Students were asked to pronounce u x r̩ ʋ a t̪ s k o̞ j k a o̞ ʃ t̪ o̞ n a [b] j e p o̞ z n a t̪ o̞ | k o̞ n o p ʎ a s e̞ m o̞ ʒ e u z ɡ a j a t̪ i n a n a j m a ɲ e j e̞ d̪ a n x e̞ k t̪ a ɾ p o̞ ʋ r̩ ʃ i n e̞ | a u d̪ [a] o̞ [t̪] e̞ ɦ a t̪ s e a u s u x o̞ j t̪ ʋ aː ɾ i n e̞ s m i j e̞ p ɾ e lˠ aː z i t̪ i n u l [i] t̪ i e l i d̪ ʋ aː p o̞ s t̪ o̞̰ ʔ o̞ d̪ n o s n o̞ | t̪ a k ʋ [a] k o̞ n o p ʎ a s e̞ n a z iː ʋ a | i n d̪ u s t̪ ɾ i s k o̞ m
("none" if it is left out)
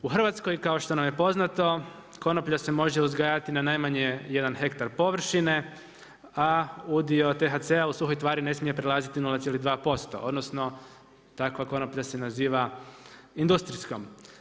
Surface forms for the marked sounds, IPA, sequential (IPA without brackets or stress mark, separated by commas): m, i, t̪, a, a